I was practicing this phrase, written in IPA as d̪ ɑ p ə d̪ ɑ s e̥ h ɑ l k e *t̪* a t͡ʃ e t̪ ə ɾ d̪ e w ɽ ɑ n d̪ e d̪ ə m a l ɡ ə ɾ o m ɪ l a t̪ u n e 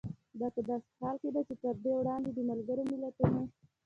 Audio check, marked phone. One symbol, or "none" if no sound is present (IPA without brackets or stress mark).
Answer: d̪